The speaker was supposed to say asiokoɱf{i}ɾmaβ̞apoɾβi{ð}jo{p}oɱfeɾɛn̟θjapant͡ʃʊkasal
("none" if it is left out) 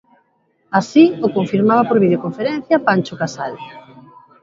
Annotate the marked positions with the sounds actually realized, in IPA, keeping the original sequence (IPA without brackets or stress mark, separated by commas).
i, ð, k